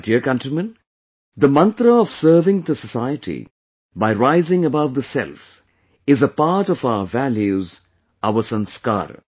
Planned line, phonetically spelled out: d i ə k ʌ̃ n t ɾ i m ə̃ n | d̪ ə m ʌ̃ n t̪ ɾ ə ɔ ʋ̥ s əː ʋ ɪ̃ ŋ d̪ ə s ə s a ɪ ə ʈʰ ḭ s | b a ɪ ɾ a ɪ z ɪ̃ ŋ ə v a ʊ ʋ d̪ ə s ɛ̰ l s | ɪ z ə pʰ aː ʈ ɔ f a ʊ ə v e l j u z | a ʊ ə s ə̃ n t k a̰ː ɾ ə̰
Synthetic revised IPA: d i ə k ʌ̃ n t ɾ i m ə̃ n | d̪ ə m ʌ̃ n t̪ ɾ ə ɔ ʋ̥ s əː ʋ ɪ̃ ŋ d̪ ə s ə s a ɪ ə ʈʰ ḭ | b a ɪ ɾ a ɪ z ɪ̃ ŋ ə b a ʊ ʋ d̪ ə s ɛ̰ l f | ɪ z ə p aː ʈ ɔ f a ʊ ə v æ l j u z | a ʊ ə s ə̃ n s k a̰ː ɾ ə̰